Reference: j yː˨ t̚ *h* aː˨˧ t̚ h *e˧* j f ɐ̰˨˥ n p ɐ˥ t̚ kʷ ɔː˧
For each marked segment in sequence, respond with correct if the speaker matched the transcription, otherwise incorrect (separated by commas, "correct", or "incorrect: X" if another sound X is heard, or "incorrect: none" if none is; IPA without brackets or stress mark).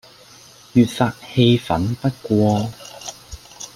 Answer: incorrect: f, correct